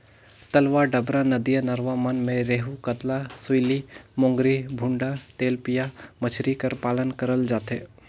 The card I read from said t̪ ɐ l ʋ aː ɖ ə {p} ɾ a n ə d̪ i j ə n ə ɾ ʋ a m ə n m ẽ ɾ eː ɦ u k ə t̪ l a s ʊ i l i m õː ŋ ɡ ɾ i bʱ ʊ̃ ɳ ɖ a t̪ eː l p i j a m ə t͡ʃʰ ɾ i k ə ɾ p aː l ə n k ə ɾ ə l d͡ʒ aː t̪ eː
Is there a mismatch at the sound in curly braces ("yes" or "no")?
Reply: yes